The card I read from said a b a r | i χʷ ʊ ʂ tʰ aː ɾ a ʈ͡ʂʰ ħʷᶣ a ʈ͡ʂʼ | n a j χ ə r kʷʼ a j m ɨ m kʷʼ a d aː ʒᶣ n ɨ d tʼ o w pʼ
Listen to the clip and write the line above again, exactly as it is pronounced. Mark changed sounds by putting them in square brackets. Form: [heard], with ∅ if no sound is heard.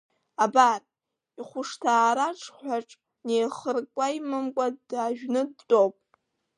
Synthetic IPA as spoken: a b a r | i χʷ ʊ ʂ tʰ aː ɾ a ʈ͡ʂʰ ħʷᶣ a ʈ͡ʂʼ | n [e] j χ ə r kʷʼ a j m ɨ m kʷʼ a d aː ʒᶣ n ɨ d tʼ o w pʼ